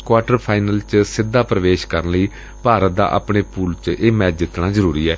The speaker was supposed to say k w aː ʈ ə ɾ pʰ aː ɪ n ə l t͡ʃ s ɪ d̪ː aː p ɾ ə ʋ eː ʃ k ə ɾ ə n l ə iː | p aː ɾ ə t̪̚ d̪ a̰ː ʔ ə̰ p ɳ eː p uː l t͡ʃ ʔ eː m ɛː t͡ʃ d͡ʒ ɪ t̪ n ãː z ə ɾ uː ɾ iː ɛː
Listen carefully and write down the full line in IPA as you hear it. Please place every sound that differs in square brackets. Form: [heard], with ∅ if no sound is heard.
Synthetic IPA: k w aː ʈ ə ɾ pʰ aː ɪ n ə l t͡ʃ s ɪ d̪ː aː p ɾ ə ʋ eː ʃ k ə ɾ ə n l ə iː | p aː ɾ ə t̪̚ d̪ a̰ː ʔ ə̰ p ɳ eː p uː l t͡ʃ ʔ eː m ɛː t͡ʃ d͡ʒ ɪ t̪ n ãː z ə ɾ uː ɾ iː ɛː